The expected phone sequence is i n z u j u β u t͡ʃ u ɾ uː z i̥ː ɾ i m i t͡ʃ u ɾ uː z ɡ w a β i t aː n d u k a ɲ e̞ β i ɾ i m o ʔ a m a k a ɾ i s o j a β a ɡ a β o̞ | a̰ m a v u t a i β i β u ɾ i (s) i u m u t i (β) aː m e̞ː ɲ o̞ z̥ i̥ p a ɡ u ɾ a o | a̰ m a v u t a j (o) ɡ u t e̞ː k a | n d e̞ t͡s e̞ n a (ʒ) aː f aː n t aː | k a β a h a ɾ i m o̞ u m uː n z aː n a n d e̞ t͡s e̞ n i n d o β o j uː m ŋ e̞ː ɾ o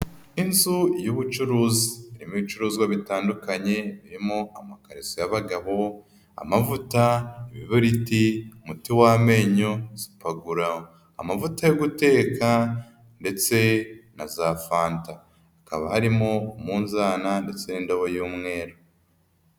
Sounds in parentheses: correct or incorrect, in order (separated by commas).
incorrect, incorrect, correct, incorrect